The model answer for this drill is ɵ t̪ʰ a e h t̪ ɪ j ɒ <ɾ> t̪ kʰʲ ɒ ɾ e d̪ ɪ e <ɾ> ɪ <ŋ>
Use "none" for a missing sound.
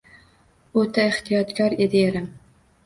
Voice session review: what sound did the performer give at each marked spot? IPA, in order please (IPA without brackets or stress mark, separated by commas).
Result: none, ɾ, m